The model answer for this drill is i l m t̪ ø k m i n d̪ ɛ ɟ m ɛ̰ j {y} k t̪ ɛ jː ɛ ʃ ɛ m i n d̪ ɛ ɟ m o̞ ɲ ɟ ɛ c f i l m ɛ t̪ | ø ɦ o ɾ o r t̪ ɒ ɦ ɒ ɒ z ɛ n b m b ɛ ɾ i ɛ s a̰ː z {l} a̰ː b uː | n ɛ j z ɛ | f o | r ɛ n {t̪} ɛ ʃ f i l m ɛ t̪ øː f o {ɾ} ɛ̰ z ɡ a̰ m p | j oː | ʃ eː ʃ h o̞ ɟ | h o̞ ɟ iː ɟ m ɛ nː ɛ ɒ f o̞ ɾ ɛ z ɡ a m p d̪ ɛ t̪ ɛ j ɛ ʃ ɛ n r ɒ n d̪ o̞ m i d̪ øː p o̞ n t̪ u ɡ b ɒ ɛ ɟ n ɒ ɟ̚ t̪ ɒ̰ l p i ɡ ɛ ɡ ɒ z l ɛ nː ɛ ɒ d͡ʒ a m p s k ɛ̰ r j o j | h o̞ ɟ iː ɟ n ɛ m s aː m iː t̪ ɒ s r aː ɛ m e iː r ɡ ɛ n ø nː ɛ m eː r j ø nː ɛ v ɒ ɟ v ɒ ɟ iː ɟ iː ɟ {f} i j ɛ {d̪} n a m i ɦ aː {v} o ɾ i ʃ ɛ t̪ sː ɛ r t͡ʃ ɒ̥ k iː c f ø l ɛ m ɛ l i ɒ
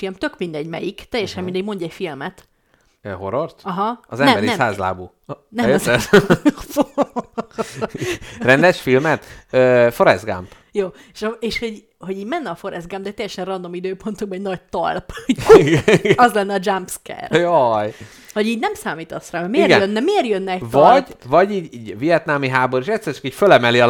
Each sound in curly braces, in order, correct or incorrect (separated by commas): incorrect, correct, incorrect, correct, incorrect, incorrect, incorrect